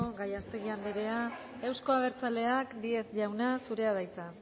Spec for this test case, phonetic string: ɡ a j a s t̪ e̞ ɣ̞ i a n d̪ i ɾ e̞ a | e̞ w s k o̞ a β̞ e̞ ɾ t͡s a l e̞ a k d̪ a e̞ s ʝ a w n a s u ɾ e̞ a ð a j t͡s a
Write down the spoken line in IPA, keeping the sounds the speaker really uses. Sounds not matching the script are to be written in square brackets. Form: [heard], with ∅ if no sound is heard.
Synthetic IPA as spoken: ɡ a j a s t̪ e̞ ɣ̞ i a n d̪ i ɾ e̞ a | e̞ w s k o̞ a β̞ e̞ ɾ t͡s a l e̞ a k d̪ [i] e̞ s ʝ a w n a s u ɾ e̞ a ð a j t͡s a